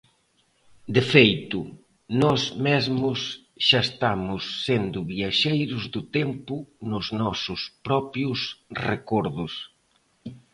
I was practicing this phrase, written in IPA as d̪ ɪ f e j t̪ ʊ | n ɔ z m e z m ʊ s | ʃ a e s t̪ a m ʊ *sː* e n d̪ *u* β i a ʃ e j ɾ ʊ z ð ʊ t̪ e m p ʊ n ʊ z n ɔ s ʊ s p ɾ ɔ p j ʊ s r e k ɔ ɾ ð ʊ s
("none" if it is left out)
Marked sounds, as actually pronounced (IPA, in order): sː, ʊ

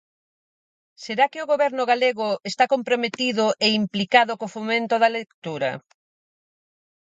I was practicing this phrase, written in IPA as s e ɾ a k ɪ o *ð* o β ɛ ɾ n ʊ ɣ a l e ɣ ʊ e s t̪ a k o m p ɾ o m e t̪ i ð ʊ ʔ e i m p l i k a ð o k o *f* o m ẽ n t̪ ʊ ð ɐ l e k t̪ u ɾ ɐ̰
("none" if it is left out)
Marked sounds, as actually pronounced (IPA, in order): ɣ, f

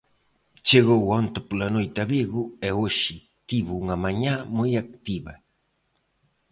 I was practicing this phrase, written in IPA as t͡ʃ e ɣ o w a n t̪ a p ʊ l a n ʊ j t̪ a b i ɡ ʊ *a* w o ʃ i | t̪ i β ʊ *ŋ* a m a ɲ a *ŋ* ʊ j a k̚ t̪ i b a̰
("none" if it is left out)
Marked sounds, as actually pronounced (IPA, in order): e, ŋ, m

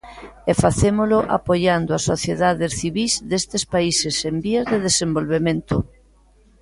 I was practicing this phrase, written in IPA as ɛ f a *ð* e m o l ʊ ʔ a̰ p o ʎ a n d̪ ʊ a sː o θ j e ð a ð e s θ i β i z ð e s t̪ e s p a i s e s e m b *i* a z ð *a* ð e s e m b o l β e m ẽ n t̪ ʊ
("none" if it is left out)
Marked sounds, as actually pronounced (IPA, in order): θ, i, e

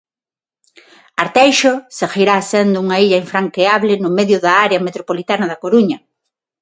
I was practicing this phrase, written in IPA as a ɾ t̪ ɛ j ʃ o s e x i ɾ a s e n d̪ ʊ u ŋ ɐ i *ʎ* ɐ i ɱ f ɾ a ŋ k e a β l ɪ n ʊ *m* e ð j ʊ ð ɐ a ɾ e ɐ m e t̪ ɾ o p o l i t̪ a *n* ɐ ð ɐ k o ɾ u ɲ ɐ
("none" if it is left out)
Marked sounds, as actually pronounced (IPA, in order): ʎ, m, n

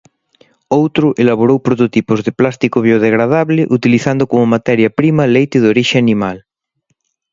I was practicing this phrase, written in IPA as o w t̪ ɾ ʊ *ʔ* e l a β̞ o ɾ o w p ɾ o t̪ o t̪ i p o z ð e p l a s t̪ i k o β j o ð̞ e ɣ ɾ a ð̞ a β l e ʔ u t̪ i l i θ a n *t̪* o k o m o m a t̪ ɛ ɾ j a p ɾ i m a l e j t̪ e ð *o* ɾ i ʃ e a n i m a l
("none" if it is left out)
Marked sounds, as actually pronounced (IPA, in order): ʔ, d̪, o

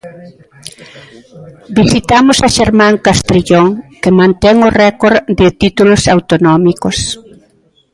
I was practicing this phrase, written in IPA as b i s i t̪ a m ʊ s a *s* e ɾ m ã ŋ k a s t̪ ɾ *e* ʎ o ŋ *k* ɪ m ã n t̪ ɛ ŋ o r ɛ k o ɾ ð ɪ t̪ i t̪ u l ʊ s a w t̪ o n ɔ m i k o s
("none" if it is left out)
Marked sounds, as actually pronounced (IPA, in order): ʃ, i, k

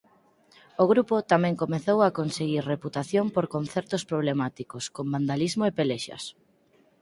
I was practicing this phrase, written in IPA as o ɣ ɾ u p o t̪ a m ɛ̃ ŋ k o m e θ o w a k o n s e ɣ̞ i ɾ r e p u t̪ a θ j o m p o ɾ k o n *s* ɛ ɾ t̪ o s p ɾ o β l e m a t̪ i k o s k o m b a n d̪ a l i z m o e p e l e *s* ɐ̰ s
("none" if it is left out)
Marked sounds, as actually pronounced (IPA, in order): θ, ʃ

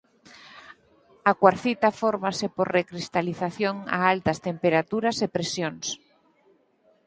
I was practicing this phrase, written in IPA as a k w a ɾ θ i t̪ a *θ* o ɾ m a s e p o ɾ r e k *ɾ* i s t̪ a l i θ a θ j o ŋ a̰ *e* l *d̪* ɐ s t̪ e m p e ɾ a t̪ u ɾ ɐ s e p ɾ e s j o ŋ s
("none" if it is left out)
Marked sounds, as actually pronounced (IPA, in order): f, ɾ, a, t̪

